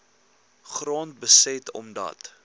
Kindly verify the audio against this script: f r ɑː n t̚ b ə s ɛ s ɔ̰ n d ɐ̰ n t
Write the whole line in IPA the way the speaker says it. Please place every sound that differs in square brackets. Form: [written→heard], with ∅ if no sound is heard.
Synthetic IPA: [f→χ] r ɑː n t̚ b ə s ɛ [s→t] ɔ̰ [n→m] d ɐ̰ [n→∅] t